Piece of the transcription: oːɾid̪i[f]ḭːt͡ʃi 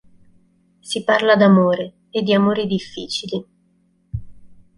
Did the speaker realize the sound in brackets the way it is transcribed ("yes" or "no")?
no